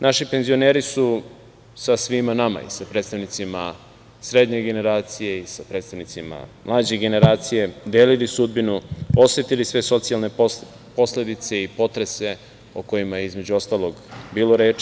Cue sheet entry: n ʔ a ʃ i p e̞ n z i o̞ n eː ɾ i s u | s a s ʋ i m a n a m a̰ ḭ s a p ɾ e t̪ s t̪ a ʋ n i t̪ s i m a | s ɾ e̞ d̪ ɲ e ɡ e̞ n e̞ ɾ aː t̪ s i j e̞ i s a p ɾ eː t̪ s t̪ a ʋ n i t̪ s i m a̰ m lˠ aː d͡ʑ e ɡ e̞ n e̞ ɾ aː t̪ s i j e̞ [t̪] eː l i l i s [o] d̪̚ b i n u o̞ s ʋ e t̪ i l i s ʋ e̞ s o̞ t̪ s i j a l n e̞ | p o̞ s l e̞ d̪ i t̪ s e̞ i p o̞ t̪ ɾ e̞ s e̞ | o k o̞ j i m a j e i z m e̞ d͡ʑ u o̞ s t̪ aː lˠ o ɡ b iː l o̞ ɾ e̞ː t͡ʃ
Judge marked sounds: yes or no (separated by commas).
no, no